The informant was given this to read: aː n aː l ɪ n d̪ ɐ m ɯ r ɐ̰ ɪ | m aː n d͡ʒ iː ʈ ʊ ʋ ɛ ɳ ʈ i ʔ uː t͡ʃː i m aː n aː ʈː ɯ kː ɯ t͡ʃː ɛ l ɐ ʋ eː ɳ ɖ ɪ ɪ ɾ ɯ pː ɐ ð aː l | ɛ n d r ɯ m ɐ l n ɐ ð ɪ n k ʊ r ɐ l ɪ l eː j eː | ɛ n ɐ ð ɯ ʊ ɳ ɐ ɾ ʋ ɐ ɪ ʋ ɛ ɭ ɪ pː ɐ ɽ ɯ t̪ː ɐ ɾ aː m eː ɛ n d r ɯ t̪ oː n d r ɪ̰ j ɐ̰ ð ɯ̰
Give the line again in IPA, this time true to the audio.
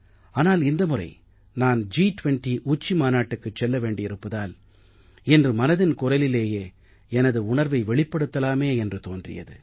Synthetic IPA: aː n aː l ɪ n d̪ ɐ m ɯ r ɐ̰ ɪ | n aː n d͡ʒ iː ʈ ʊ ʋ ɛ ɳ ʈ i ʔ uː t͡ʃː i m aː n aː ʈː ɯ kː ɯ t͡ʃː ɛ lː ɐ ʋ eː ɳ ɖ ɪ ɪ ɾ ɯ pː ɐ ð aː l | ɛ n d r ɯ m ɐ n ɐ ð ɪ n k ʊ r ɐ l ɪ l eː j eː | ɛ n ɐ ð ɯ ʊ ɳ ɐ ɾ ʋ ɐ ɪ ʋ ɛ ɭ ɪ pː ɐ ɽ ɯ t̪ː ɐ l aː m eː ɛ n d r ɯ t̪ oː n d r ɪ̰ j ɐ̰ ð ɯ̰